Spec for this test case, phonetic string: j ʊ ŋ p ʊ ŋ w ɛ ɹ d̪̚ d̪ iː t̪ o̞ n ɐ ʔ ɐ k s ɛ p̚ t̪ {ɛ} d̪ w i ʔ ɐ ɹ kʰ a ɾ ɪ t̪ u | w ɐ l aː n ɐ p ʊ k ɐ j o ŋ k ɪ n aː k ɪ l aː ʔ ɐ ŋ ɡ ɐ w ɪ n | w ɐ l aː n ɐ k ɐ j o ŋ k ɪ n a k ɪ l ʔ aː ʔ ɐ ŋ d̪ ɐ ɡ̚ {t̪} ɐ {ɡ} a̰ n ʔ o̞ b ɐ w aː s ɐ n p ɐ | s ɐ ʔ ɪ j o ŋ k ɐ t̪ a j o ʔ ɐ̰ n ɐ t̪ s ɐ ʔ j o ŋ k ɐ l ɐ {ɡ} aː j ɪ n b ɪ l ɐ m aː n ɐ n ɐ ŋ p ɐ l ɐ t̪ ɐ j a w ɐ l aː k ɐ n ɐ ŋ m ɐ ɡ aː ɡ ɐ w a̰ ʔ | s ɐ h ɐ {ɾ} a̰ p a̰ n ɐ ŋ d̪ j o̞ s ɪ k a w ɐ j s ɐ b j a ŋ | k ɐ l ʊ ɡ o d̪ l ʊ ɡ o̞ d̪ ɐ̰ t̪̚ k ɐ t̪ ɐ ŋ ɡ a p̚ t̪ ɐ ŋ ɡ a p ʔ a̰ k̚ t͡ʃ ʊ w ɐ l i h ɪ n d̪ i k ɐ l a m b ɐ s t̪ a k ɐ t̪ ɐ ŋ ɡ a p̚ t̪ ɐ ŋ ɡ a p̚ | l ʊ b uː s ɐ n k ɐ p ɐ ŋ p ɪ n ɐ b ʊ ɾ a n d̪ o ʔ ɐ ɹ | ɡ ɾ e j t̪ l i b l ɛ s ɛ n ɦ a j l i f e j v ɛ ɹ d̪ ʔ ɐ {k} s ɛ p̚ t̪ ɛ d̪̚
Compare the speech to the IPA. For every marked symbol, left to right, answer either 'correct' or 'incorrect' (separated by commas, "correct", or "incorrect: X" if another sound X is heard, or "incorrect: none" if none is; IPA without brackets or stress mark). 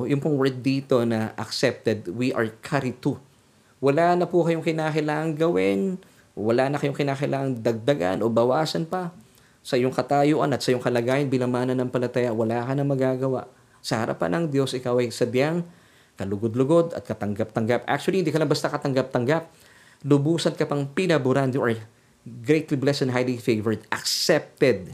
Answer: correct, incorrect: d̪, correct, correct, correct, correct